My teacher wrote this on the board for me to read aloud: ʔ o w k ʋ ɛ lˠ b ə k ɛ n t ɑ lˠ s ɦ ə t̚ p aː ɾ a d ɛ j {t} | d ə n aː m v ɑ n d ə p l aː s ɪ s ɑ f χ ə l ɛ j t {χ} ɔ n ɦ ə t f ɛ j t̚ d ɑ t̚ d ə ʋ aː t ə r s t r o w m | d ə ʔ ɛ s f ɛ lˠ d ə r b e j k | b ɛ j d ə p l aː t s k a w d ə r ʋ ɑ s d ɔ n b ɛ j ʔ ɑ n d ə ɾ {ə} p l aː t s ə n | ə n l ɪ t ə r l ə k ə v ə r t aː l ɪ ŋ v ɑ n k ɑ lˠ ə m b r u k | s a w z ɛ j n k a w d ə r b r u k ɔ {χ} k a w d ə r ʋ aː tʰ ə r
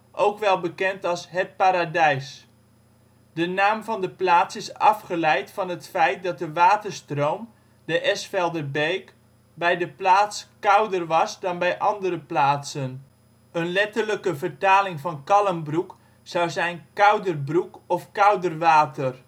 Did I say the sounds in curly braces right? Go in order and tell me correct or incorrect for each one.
incorrect: s, incorrect: f, correct, incorrect: f

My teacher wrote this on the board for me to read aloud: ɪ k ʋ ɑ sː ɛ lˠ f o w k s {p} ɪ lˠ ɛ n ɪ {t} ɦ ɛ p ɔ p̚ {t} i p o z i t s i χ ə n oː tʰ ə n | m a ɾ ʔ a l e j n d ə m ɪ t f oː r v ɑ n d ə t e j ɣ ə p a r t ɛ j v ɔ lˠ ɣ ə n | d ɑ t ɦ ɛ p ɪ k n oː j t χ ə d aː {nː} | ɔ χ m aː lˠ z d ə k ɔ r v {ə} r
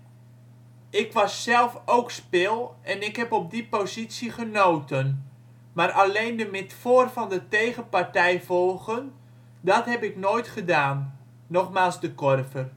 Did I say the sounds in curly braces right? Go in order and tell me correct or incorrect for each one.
correct, incorrect: k, incorrect: d, correct, correct

